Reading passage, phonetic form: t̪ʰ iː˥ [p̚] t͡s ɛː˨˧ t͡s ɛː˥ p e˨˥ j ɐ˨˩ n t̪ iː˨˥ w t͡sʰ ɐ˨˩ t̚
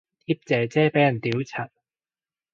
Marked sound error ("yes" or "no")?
no